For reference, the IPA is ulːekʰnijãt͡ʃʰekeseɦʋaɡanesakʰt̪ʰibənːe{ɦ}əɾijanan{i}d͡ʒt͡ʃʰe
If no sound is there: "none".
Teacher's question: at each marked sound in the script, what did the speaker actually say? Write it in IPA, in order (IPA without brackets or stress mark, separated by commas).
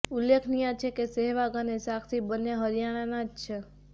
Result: ɦ, a